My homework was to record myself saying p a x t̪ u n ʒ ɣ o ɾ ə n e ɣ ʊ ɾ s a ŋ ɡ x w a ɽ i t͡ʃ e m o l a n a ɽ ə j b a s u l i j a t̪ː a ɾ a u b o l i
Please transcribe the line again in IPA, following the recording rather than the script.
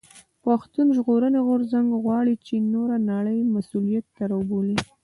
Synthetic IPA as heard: p a x t̪ u n ʒ ɣ o ɾ ə n e ɣ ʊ ɾ z a ŋ ɡ ɣ w ɑ ɽ i t͡ʃ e n o ɾ a n a ɽ ə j m a s u l i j a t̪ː a ɾ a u b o l i